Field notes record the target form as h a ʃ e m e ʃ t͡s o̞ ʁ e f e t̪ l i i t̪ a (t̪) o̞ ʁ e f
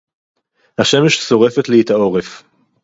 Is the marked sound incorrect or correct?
incorrect